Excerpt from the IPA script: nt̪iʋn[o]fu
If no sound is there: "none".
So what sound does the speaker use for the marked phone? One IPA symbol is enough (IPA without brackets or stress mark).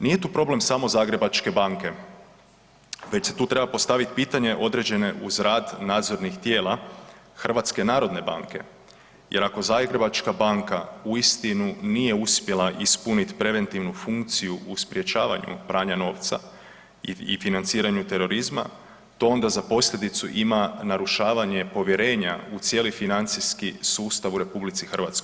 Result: u